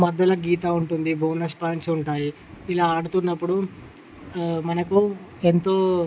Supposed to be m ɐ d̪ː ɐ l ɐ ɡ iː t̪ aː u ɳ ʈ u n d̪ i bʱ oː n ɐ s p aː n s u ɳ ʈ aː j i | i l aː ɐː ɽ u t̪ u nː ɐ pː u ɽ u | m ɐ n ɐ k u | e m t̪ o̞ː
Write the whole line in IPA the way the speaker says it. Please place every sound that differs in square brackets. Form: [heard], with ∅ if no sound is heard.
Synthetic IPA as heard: m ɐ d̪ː ɐ l ɐ ɡ iː t̪ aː u ɳ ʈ u n d̪ i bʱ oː n ɐ s p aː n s u ɳ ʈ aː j i | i l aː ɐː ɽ u t̪ u nː ɐ pː u ɽ u | m ɐ n ɐ k u | e [n] t̪ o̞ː